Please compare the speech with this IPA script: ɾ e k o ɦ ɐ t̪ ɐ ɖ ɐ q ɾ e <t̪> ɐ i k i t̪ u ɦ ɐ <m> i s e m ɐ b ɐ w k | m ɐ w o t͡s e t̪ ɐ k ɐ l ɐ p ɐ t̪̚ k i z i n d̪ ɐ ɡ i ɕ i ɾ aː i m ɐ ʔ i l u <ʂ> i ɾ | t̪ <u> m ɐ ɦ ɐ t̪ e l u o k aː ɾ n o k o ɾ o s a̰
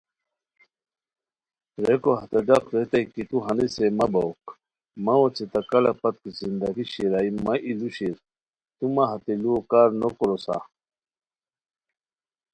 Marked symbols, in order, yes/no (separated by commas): yes, no, no, yes